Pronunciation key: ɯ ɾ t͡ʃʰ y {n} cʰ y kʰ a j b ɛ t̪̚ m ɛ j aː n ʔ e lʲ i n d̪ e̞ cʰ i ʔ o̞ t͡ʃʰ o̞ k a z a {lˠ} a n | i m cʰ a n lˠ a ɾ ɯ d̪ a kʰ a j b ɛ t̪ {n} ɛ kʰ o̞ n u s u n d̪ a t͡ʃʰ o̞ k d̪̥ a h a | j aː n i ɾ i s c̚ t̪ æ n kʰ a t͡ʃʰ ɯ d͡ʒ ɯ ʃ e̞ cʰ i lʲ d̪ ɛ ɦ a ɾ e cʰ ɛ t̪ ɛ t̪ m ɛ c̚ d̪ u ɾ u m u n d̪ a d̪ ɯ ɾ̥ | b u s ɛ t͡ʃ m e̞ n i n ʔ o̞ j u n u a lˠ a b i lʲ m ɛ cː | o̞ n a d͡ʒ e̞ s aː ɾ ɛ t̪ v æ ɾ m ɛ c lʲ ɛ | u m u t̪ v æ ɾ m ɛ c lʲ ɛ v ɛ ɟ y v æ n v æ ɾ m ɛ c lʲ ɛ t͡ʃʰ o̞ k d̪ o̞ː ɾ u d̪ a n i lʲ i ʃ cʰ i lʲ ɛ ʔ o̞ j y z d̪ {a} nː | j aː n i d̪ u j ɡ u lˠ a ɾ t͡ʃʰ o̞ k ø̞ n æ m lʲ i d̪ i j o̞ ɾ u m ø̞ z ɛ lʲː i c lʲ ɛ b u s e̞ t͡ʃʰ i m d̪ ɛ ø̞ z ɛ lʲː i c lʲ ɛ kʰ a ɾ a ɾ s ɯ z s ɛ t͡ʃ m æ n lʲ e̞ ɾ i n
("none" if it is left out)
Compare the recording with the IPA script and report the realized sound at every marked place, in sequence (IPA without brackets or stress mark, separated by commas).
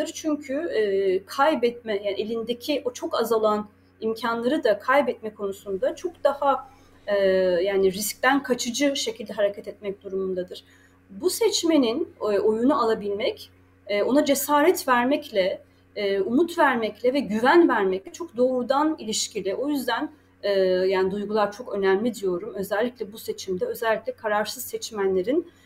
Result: ɲ, lˠ, m, æ